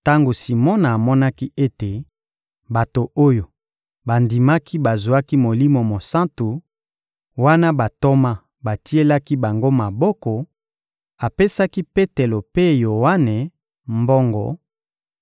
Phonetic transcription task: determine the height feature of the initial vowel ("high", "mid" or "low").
low